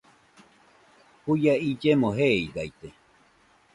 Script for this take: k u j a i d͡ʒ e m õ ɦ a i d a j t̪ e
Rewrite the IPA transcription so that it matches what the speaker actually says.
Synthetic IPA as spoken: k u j a i d͡ʒ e m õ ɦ e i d a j t̪ e